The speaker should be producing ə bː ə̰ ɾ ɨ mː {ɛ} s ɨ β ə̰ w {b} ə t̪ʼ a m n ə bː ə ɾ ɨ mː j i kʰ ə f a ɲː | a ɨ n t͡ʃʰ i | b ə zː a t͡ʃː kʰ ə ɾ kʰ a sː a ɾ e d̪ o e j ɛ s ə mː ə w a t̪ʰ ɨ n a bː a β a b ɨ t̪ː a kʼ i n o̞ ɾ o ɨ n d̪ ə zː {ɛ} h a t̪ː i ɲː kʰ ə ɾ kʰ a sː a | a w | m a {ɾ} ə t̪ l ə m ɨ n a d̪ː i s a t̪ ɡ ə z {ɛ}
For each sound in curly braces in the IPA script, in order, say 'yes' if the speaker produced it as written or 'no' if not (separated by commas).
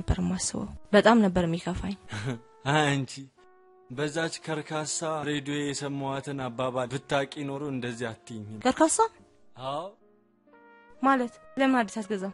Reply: no, yes, no, no, no